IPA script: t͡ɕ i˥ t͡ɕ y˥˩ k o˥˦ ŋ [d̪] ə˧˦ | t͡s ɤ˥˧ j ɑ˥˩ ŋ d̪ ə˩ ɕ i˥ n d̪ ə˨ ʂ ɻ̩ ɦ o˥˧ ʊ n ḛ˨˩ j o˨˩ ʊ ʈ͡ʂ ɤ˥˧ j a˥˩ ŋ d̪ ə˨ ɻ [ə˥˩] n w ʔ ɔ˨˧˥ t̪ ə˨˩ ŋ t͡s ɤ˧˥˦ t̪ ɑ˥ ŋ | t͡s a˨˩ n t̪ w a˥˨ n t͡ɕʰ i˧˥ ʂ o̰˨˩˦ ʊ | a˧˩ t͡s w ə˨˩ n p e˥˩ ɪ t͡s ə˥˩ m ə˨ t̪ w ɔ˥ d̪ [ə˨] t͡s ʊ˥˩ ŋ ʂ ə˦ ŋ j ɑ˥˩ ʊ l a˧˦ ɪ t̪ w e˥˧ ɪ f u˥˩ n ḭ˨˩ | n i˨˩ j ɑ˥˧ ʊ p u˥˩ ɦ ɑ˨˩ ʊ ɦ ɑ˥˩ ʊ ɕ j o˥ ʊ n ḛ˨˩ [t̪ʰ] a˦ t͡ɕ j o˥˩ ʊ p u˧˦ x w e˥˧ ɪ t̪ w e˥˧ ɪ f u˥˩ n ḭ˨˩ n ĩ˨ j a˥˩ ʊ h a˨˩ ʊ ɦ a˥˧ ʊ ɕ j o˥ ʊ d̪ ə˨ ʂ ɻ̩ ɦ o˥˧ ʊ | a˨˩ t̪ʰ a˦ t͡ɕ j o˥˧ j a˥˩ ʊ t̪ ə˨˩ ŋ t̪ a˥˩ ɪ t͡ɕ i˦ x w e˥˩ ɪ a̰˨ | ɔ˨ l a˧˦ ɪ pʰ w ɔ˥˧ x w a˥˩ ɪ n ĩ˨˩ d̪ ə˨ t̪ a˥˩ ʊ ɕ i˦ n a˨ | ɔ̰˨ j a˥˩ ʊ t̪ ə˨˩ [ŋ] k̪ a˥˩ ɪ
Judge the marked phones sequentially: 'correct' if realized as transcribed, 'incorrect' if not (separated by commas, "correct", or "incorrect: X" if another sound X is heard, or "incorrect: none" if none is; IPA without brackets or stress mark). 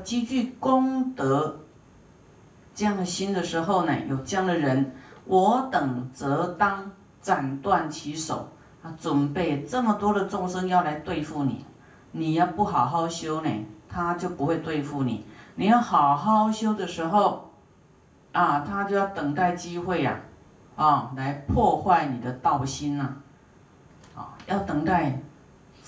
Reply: incorrect: t̪, incorrect: ə˧˦, correct, correct, correct